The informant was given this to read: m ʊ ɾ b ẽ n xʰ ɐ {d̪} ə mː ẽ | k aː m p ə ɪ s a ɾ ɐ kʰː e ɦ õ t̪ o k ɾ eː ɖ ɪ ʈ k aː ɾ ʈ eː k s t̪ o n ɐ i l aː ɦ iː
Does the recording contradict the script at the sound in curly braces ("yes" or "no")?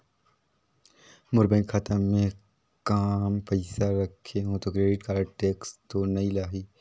yes